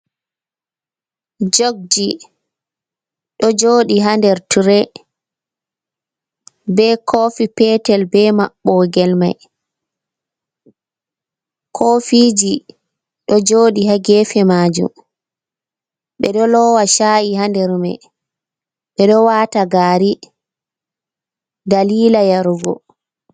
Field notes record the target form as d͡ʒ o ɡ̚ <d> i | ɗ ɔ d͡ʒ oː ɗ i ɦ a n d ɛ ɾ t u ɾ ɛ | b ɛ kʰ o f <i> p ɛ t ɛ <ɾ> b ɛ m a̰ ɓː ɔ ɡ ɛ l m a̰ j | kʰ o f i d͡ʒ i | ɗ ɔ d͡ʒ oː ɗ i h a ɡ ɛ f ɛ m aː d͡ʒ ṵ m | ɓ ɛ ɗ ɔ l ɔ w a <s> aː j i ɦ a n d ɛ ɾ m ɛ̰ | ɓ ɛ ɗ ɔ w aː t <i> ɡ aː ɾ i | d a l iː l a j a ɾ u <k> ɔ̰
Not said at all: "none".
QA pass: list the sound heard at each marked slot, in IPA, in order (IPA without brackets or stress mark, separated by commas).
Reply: d͡ʒ, i, l, ʃ, a, ɡ